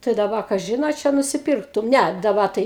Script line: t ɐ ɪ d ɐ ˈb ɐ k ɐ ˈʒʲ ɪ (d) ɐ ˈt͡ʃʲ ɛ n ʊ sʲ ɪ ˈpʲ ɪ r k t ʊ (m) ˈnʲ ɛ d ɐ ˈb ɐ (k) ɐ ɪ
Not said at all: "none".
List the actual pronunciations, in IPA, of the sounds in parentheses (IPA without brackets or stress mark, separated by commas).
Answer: n, m, t